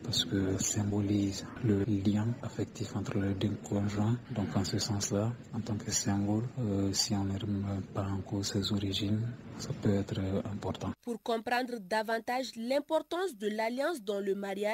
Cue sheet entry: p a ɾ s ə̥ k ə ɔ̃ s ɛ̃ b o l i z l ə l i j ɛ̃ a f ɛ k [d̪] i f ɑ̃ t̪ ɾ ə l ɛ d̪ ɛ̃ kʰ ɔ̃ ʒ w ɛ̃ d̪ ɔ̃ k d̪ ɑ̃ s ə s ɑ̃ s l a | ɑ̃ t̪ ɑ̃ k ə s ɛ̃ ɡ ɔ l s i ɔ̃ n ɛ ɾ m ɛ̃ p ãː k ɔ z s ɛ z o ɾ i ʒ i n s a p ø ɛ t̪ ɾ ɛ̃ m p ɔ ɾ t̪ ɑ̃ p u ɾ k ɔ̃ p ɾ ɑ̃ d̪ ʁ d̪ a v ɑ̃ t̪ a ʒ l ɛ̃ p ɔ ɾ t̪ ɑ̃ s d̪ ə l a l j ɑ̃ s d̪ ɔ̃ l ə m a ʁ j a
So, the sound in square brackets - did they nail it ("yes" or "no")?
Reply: no